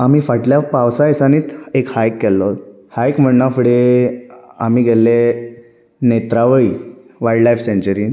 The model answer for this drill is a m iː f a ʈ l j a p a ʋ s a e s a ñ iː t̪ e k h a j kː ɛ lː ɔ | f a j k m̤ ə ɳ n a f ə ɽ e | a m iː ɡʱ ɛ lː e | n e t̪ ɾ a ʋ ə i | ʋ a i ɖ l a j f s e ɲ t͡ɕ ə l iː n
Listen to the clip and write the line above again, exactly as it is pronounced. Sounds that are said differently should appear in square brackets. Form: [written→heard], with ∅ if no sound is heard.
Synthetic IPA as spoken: a m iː f a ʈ l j a p a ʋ s a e s a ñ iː t̪ e k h a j kː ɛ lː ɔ | [f→h] a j k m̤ ə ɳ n a f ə ɽ e | a m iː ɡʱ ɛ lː e | n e t̪ ɾ a ʋ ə i | ʋ a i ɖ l a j f s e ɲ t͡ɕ ə [l→ɾ] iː n